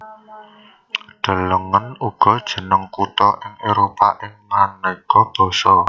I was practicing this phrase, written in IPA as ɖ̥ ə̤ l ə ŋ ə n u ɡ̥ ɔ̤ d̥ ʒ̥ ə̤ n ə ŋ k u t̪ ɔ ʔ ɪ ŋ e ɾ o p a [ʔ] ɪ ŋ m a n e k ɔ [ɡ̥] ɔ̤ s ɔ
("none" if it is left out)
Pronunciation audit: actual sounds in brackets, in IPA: ʔ, b̥

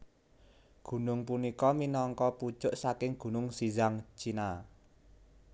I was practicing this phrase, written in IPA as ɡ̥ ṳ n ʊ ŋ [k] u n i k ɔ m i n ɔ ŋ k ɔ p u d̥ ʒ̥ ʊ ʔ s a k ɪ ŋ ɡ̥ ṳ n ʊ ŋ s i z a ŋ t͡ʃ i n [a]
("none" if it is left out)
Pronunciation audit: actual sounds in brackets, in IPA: p, a

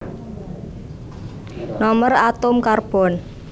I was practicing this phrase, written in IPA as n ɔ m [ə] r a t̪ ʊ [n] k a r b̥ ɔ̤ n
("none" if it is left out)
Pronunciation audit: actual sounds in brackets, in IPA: ə, m

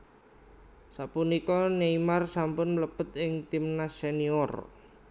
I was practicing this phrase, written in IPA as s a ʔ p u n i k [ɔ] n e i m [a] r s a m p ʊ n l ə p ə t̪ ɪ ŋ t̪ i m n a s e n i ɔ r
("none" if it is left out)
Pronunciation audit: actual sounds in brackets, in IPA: ɔ, a

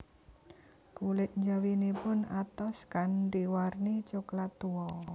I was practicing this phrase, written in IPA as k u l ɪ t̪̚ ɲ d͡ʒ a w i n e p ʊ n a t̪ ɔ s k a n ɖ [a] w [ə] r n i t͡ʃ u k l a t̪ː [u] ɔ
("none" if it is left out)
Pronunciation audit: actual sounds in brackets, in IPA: i, a, u

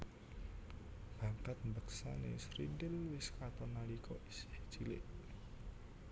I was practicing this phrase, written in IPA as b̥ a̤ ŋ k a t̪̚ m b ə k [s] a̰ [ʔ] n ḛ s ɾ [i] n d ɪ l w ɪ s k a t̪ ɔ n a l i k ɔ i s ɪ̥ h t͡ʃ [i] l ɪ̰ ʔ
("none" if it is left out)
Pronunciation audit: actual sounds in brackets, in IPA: s, none, i, i

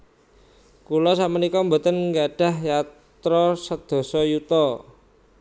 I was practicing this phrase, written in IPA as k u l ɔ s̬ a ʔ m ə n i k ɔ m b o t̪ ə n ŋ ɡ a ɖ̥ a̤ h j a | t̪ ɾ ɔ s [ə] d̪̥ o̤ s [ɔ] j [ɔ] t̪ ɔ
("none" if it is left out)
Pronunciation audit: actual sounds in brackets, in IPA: ə, ɔ, u

